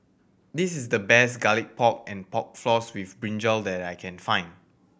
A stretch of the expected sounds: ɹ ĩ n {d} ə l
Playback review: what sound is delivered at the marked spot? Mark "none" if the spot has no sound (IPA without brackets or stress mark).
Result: d͡ʒ